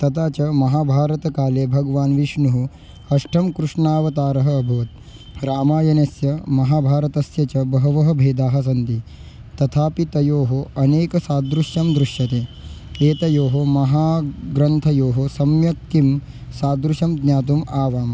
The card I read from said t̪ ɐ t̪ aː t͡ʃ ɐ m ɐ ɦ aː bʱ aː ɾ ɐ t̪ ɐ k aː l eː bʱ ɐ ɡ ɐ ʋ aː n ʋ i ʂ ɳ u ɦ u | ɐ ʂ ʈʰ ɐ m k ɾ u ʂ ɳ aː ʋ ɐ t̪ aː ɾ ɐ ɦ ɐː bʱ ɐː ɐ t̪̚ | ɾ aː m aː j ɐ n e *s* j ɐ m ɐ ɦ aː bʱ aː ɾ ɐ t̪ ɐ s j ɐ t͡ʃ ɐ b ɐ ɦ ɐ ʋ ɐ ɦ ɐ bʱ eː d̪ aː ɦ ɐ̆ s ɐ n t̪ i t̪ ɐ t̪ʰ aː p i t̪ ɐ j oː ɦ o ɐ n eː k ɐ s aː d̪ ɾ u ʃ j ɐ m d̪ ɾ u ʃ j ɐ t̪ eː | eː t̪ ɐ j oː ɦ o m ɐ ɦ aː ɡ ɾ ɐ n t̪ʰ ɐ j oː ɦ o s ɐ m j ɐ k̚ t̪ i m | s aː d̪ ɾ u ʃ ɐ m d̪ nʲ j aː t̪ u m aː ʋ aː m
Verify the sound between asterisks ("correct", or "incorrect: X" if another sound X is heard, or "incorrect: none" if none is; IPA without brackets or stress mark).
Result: correct